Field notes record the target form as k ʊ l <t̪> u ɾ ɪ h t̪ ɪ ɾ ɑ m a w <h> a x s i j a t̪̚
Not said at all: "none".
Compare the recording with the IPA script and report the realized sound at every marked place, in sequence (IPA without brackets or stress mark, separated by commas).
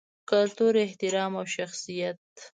t̪, ʃ